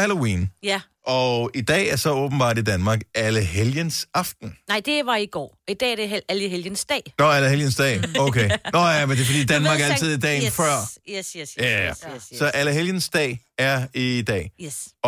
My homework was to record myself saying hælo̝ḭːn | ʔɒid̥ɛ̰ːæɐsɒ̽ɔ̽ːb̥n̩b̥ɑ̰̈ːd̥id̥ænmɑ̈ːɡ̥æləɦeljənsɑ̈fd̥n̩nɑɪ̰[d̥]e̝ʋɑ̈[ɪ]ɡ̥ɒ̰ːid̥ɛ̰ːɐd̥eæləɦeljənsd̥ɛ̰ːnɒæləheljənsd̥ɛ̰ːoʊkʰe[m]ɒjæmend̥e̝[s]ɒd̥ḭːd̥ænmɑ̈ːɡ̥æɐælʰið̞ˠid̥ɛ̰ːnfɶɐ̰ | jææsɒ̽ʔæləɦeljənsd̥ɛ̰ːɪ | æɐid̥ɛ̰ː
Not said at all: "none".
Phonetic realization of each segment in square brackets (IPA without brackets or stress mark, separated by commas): d̥, i, n, f